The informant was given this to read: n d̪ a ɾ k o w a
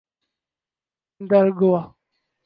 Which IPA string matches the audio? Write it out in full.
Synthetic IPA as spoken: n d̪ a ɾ ɡ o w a